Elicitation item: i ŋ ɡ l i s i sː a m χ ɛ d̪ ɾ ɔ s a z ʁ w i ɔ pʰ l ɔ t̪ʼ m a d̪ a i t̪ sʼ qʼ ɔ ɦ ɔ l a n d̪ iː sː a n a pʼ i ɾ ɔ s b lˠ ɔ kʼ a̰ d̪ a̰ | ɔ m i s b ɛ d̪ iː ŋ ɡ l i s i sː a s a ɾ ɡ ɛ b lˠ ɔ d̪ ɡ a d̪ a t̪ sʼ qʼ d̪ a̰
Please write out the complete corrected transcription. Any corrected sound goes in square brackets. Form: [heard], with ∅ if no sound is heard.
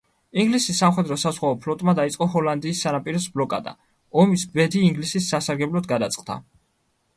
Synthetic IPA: i ŋ ɡ l i s i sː a m χ ɛ d̪ ɾ ɔ s a z ʁ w [a] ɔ pʰ l ɔ t̪ʼ m a d̪ a i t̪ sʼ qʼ ɔ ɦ ɔ l a n d̪ iː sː a n a pʼ i ɾ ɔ s b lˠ ɔ kʼ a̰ d̪ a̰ | ɔ m i s b ɛ d̪ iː ŋ ɡ l i s i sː a s a ɾ ɡ ɛ b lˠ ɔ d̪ ɡ a d̪ a t̪ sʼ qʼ d̪ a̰

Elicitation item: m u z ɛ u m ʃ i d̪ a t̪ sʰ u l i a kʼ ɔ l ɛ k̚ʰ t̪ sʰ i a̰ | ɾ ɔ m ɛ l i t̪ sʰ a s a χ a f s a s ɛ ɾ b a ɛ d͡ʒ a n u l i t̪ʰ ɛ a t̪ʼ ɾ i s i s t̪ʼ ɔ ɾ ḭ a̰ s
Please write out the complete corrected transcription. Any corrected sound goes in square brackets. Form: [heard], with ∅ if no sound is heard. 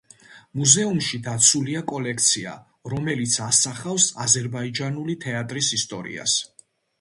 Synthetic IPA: m u z ɛ u m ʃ i d̪ a t̪ sʰ u l i a kʼ ɔ l ɛ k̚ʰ t̪ sʰ i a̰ | ɾ ɔ m ɛ l i t̪ sʰ a s a χ a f s a [z] ɛ ɾ b a [i] d͡ʒ a n u l i t̪ʰ ɛ a t̪ʼ ɾ i s i s t̪ʼ ɔ ɾ ḭ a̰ s

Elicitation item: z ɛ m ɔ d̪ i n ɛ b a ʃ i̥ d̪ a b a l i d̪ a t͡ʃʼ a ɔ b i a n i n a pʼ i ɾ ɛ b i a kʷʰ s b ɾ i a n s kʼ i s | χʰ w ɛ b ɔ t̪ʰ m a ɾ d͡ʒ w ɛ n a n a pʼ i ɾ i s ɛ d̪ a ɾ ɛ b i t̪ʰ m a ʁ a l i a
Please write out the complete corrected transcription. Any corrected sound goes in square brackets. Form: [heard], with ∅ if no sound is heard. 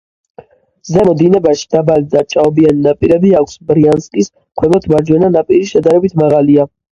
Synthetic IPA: z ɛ m ɔ d̪ i n ɛ b a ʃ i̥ d̪ a b a l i d̪ a t͡ʃʼ a ɔ b i a n i n a pʼ i ɾ ɛ b i a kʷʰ s b ɾ i a n s kʼ i s | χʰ w ɛ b ɔ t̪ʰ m a ɾ d͡ʒ w ɛ n a n a pʼ i ɾ i [ʃ] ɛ d̪ a ɾ ɛ b i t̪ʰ m a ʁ a l i a

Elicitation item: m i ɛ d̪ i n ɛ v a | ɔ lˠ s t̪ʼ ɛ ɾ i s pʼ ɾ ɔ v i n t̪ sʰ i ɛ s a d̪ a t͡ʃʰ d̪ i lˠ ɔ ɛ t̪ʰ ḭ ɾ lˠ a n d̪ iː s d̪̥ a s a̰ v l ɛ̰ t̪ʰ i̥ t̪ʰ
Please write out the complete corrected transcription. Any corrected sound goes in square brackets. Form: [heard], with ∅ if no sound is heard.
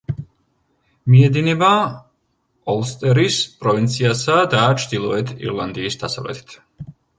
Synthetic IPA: m i ɛ d̪ i n ɛ [b] a | ɔ lˠ s t̪ʼ ɛ ɾ i s pʼ ɾ ɔ v i n t̪ sʰ i [a] s a d̪ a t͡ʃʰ d̪ i lˠ ɔ ɛ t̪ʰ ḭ ɾ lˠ a n d̪ iː s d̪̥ a s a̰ v l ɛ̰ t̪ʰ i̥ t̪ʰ

